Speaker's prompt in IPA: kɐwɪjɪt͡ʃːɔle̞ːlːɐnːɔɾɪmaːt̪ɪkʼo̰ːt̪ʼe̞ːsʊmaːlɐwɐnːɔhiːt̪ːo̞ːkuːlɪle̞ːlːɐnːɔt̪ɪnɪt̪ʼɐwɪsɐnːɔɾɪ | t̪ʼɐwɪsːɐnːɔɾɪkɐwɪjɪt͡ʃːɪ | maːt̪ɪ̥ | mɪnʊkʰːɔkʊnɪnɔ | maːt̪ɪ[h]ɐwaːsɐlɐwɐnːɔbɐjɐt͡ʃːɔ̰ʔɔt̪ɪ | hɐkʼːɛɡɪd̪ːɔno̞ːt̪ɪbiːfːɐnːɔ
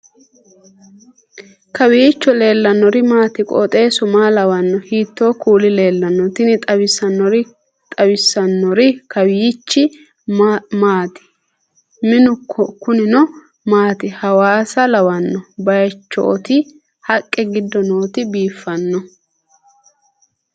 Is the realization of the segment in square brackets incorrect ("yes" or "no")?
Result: no